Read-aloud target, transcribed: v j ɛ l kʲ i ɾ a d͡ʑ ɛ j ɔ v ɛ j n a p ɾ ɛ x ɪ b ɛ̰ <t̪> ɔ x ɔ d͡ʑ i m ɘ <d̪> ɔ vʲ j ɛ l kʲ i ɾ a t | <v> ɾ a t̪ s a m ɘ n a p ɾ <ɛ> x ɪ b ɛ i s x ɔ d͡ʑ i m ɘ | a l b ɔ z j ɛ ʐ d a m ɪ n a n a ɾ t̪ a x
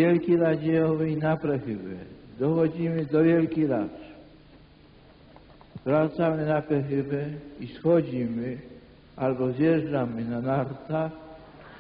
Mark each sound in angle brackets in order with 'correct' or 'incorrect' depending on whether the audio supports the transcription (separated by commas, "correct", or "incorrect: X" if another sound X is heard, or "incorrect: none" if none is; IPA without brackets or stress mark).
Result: incorrect: d̪, correct, correct, correct